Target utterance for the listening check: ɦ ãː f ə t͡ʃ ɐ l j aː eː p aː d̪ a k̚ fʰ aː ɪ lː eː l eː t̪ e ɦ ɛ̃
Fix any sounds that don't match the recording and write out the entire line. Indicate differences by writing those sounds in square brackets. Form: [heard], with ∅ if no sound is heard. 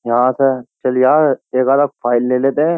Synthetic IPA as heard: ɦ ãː [s] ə t͡ʃ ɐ l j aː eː [k] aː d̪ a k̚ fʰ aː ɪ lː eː l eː t̪ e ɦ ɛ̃